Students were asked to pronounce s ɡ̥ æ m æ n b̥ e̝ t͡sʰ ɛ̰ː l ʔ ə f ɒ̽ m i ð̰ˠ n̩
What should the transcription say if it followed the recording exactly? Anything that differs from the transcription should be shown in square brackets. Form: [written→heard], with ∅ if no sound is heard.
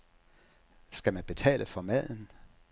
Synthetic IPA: s ɡ̥ æ m æ n b̥ e̝ t͡sʰ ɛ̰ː l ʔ ə f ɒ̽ m [i→æ] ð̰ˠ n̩